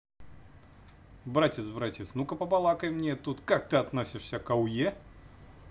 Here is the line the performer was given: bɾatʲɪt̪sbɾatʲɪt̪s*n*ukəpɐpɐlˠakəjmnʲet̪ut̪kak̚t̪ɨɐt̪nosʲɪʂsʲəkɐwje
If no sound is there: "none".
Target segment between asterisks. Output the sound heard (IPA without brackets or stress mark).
n